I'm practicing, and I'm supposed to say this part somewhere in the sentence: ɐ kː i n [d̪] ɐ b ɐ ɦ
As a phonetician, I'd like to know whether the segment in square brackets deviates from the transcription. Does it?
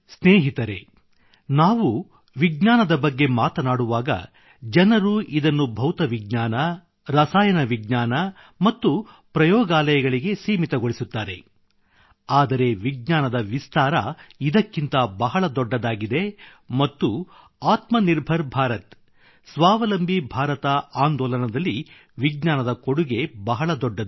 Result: yes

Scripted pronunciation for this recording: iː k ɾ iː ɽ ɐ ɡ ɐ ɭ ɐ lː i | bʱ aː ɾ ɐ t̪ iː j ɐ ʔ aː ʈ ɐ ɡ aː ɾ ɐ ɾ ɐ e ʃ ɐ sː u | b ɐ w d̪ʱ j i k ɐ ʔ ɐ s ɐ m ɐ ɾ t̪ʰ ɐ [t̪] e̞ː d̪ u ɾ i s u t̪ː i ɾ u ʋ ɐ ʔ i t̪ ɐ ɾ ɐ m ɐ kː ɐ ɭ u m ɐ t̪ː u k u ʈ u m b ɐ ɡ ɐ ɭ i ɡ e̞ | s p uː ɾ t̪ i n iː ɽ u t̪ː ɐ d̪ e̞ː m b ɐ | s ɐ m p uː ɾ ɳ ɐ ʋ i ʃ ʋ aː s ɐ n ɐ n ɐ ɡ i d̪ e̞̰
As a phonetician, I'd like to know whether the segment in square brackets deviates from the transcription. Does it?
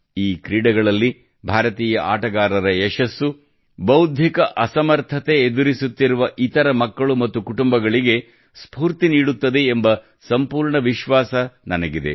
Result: no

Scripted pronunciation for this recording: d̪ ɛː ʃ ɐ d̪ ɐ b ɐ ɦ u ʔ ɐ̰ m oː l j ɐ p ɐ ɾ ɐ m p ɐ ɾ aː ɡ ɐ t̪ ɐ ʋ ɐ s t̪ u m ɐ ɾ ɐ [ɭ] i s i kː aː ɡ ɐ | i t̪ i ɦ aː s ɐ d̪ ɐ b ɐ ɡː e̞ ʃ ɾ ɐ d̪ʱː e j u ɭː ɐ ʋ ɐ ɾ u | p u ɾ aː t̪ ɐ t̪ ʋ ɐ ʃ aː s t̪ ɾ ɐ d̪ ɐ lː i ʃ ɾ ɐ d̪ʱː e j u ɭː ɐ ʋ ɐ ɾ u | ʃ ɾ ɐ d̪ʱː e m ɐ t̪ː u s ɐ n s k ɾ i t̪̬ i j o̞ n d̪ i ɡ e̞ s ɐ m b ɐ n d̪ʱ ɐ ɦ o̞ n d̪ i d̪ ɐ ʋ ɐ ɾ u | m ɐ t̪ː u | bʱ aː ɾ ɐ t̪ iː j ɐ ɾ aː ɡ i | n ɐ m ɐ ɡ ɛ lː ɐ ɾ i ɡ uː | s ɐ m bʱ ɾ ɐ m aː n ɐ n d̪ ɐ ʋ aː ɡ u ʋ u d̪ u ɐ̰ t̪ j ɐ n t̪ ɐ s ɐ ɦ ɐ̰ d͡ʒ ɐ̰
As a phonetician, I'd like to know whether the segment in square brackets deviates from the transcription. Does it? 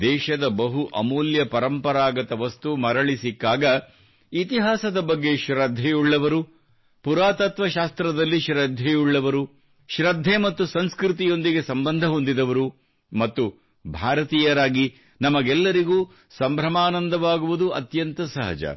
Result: no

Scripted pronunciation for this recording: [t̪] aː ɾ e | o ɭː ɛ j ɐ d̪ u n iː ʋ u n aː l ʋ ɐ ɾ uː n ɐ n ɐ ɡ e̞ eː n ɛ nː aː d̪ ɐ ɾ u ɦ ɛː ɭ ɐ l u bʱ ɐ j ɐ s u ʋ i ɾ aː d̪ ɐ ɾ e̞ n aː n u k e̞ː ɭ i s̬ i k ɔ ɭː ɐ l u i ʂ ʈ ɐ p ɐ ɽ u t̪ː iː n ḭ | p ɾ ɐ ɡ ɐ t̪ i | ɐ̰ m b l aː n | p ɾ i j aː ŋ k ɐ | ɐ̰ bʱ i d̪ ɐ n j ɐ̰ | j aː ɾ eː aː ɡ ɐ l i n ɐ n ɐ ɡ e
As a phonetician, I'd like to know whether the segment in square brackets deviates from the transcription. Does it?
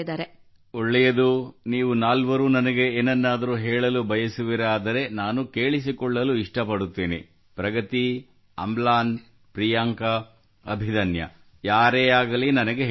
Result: yes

